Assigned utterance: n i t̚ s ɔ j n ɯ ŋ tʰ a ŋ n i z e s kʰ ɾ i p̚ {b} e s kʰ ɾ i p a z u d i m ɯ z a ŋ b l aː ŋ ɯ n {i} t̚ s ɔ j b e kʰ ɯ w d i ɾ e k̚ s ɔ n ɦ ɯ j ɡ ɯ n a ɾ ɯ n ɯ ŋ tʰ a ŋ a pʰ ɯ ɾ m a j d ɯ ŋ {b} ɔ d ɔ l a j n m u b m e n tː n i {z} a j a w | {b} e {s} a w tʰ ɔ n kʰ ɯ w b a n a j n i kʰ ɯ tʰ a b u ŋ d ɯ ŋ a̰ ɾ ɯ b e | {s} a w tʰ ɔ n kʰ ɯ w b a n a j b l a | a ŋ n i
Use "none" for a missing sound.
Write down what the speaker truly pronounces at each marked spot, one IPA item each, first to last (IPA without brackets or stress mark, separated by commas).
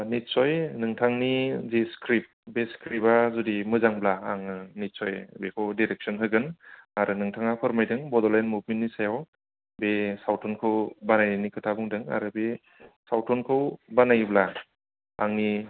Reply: b, i, b, s, b, s, s